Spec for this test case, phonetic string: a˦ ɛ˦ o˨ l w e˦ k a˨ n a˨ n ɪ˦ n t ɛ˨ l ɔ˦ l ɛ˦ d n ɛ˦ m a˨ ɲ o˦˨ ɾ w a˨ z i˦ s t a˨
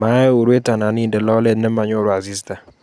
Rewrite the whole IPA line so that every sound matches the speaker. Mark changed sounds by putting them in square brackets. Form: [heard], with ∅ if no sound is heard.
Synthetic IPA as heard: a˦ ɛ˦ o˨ [ɾ] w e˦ [t] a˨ n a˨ n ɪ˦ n [d] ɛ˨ l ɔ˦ l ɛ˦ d n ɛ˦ m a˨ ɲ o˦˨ ɾ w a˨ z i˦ s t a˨